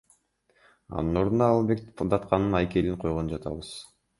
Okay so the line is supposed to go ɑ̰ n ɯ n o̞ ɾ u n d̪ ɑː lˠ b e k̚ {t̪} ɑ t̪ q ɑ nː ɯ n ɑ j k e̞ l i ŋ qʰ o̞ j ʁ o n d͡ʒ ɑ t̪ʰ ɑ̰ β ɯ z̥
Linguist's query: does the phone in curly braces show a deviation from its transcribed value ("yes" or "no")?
yes